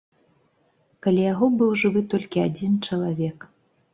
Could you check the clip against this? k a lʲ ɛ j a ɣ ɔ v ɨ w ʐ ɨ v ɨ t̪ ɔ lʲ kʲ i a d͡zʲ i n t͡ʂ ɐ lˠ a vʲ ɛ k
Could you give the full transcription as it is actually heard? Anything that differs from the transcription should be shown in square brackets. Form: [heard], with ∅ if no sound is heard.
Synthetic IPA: k a lʲ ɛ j a ɣ ɔ [b] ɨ w ʐ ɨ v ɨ t̪ ɔ lʲ kʲ i a d͡zʲ i n t͡ʂ ɐ lˠ a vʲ ɛ k